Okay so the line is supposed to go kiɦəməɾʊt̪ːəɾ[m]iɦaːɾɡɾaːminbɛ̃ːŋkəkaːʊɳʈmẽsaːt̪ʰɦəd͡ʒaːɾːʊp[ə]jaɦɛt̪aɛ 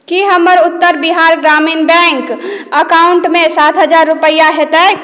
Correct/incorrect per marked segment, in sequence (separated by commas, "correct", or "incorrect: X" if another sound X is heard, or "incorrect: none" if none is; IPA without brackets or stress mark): incorrect: b, correct